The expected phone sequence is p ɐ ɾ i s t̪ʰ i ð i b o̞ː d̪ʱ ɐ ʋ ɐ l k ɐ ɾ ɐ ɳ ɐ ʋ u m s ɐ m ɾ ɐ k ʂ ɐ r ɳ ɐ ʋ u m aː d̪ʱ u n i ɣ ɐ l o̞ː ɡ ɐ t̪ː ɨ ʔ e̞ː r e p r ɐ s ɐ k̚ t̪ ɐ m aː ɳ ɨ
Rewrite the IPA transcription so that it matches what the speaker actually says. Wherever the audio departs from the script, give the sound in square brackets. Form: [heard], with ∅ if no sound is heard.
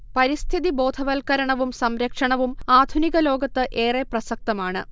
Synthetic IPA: p ɐ ɾ i s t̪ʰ i ð i b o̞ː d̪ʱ ɐ ʋ ɐ l k ɐ ɾ ɐ ɳ ɐ ʋ u m s ɐ m ɾ ɐ k ʂ ɐ [∅] ɳ ɐ ʋ u m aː d̪ʱ u n i ɣ ɐ l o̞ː ɡ ɐ t̪ː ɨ ʔ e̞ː r e p r ɐ s ɐ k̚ t̪ ɐ m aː ɳ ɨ